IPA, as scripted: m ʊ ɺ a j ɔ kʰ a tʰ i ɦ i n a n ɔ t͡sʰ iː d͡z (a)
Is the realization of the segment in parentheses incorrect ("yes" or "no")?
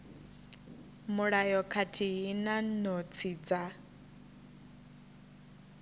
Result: no